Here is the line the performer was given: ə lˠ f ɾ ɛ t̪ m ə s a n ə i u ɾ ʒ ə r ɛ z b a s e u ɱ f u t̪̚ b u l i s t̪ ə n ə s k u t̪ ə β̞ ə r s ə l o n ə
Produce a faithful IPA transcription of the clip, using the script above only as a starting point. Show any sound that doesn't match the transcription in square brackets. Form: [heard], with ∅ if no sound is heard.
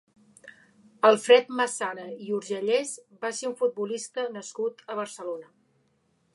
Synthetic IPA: ə lˠ f ɾ ɛ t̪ m ə s a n ə i u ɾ ʒ ə [ʎ] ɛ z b a s e u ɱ f u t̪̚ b u l i s t̪ ə n ə s k u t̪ ə β̞ ə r s ə l o n ə

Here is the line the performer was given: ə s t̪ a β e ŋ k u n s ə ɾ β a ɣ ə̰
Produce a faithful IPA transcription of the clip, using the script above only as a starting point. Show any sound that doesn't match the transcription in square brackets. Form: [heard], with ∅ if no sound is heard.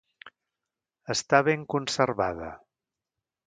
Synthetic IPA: ə s t̪ a β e ŋ k u n s ə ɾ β a [ð] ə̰

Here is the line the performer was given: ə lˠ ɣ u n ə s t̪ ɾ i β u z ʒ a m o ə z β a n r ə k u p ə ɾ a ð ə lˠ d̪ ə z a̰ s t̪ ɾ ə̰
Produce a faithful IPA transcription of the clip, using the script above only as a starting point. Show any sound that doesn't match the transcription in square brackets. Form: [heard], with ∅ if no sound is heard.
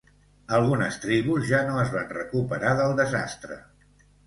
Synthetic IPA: ə lˠ ɣ u n ə s t̪ ɾ i β u z ʒ a [n] o ə z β a n r ə k u p ə ɾ a ð ə lˠ d̪ ə z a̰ s t̪ ɾ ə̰

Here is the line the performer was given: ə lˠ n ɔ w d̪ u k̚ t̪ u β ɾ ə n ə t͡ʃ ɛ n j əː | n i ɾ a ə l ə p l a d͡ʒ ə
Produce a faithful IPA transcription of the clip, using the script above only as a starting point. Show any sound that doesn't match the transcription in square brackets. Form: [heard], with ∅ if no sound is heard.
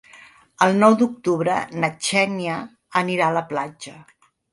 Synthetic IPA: ə lˠ n ɔ w d̪ u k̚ t̪ u β ɾ ə n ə t͡ʃ ɛ n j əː | n i ɾ a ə l ə p l a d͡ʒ ə

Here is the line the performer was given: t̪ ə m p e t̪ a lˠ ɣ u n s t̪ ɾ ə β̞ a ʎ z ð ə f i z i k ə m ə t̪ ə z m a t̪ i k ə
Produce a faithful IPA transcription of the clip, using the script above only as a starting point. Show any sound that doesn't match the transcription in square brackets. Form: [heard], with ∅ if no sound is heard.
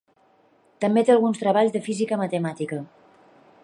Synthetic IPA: t̪ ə m [b] e t̪ [e] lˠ ɣ u n s t̪ ɾ ə β̞ a ʎ z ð ə f i z i k ə m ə t̪ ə [∅] m a t̪ i k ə

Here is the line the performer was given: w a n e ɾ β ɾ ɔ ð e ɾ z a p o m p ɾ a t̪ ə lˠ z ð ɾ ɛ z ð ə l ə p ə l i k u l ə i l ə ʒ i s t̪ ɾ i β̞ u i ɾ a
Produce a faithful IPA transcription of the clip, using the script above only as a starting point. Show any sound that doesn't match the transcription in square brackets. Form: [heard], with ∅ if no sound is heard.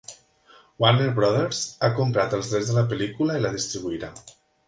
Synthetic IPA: w a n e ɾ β ɾ ɔ ð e ɾ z a [k] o m p ɾ a t̪ ə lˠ z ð ɾ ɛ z ð ə l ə p ə l i k u l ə i l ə [ð] i s t̪ ɾ i β̞ u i ɾ a

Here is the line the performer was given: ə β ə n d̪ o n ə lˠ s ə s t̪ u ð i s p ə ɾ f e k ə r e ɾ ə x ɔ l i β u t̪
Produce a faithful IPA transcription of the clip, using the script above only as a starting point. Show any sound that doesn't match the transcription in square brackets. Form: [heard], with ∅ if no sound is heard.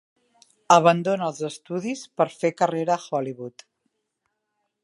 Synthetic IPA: ə β ə n d̪ o n ə lˠ [z] ə s t̪ u ð i s p ə ɾ f e k ə r e ɾ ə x ɔ l i β u t̪

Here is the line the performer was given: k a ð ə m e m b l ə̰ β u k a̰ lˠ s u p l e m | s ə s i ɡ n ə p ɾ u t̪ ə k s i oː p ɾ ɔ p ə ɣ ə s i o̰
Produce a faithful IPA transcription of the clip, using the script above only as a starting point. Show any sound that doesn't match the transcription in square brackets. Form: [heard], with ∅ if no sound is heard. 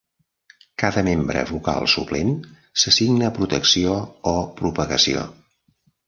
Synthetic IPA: k a ð ə m e m b [ɾ] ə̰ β u k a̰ lˠ s u p l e m | s ə s i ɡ n ə p ɾ u t̪ ə k s i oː p ɾ [u] p ə ɣ ə s i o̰

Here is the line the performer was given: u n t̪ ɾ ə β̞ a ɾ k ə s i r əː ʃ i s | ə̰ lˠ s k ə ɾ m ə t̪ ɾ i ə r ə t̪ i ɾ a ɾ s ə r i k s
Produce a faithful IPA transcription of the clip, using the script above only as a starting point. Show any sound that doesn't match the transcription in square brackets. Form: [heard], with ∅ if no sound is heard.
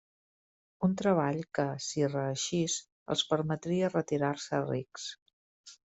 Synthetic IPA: u n t̪ ɾ ə β̞ a [ʎ] k ə s i r əː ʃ i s | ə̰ lˠ s [p] ə ɾ m ə t̪ ɾ i ə r ə t̪ i ɾ a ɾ s ə r i k s

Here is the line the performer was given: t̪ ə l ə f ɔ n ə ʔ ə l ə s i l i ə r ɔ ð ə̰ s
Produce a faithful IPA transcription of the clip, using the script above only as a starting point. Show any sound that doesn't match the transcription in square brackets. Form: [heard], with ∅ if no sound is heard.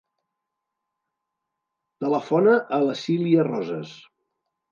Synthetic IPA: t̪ ə l ə f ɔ n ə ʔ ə l ə s i l i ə r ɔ [z] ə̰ s

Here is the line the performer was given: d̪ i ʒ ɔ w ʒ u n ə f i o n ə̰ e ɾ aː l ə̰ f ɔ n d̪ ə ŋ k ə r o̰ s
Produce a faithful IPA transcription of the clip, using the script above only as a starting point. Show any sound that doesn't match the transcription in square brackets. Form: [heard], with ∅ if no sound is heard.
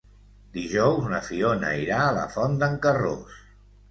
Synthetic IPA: d̪ i ʒ ɔ w [z] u n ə f i o n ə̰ [i] ɾ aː l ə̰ f ɔ n d̪ ə ŋ k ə r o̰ s

